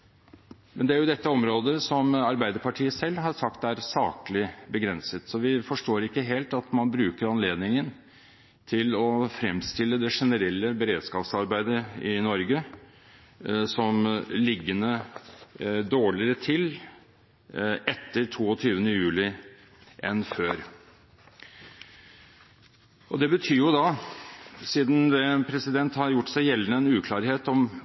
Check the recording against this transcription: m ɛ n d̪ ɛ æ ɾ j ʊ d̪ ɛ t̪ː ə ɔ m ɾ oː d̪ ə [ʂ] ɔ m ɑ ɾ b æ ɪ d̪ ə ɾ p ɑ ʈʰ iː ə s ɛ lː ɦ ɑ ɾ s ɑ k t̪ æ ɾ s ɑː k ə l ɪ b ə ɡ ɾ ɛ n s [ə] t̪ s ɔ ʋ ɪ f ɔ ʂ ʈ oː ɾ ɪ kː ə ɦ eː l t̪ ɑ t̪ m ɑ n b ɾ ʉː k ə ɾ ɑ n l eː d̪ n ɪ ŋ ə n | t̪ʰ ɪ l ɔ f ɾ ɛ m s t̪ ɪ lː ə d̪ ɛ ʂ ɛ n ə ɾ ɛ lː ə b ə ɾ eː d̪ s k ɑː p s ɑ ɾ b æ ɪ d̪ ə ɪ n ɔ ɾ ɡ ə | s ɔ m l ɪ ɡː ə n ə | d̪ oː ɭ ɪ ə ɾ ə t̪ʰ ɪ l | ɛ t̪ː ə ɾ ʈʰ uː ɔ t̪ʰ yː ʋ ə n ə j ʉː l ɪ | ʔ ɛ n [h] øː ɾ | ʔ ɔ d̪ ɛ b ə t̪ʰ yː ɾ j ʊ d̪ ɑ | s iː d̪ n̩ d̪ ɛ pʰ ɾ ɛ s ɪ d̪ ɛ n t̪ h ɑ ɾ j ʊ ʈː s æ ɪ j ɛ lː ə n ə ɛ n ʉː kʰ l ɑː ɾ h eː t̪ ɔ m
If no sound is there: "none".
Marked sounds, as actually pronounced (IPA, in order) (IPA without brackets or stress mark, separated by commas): s, ə, f